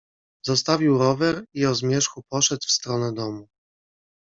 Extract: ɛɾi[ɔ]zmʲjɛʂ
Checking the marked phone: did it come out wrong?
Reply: no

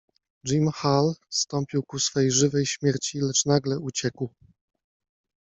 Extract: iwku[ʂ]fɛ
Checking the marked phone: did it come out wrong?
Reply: yes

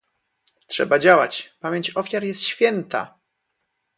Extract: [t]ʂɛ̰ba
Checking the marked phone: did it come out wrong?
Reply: no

